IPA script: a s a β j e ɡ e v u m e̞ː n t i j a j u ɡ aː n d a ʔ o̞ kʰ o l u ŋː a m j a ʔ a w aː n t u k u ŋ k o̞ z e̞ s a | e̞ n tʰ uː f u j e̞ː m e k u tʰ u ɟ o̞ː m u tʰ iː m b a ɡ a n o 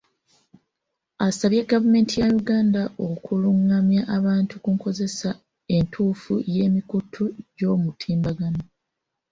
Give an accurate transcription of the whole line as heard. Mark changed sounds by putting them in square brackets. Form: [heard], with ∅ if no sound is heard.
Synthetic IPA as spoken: a s a β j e ɡ [a] v u m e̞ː n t i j a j u ɡ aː n d a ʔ o̞ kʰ [u] l u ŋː a m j a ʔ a [β] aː n t u k u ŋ k o̞ z e̞ s a | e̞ n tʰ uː f u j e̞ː m [i] k u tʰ u ɟ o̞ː m u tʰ iː m b a ɡ a n o